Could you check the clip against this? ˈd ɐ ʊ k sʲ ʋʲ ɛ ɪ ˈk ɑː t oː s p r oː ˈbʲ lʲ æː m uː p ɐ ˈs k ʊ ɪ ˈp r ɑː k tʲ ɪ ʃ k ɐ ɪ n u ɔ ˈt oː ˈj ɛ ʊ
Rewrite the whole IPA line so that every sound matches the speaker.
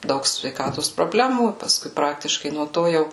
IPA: ˈd ɐ ʊ k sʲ ʋʲ ɛ ɪ ˈk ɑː t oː s p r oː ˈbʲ lʲ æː m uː p ɐ ˈs k ʊ ɪ ˈp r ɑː k tʲ ɪ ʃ k ɐ ɪ n u ɔ ˈt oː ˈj ɛ ʊ